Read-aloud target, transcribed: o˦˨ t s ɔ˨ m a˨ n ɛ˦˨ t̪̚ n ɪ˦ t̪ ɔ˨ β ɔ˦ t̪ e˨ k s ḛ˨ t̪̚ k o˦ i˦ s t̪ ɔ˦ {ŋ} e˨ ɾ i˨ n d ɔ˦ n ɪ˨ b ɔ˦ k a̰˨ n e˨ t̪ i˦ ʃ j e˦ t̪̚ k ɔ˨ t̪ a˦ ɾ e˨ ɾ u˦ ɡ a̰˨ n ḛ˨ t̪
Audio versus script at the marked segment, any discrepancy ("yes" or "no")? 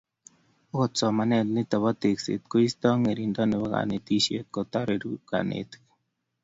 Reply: no